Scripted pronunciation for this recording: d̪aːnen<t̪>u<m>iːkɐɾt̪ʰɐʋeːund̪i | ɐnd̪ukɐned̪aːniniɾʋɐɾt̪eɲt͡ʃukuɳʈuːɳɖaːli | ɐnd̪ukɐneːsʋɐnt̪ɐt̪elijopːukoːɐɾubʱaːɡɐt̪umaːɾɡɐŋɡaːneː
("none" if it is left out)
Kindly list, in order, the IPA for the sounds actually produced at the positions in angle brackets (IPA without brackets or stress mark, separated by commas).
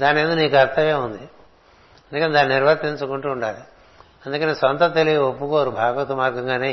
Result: d̪, n